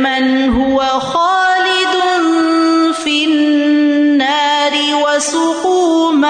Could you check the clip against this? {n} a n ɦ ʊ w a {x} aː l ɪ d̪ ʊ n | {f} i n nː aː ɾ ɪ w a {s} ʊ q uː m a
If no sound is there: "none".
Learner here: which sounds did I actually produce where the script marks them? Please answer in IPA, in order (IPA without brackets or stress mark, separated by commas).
m, x, f, s